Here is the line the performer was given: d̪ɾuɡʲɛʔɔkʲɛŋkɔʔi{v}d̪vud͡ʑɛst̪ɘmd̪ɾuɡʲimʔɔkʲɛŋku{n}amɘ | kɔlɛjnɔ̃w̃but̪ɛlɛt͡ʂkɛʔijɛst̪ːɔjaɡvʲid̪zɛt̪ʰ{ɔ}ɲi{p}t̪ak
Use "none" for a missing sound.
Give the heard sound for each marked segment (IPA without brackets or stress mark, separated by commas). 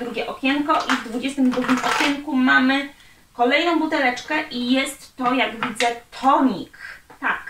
v, m, ɔ, k